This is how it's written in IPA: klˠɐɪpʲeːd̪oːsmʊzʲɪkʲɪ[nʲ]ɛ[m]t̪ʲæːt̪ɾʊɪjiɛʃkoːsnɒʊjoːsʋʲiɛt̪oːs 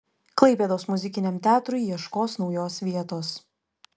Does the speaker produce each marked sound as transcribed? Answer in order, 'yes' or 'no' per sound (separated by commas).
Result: yes, yes